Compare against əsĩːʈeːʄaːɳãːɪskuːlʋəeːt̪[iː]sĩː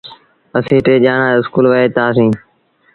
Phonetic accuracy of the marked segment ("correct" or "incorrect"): incorrect